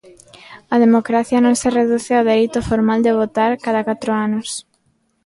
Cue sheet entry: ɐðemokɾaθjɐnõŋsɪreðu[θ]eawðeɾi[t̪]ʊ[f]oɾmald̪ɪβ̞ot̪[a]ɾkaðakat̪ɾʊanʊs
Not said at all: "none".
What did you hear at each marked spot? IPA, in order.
θ, t̪, f, a

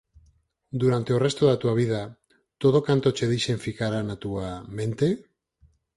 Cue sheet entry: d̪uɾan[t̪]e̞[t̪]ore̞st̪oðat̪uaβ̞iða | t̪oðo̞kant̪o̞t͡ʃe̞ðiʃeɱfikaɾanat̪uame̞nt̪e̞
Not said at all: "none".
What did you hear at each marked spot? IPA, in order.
t̪, none

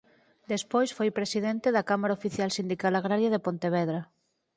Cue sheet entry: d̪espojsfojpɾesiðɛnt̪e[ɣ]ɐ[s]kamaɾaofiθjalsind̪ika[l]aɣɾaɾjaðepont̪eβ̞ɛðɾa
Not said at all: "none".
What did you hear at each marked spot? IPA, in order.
ð, none, l

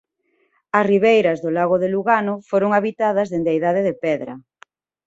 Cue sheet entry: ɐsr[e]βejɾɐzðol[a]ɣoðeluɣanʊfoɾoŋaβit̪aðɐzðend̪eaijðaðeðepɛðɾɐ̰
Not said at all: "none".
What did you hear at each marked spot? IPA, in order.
i, a

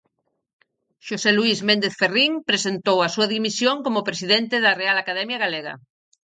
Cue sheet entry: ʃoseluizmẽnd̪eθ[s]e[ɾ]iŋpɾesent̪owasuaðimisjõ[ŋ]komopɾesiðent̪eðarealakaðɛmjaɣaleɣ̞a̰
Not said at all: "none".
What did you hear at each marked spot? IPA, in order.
f, r, ŋ

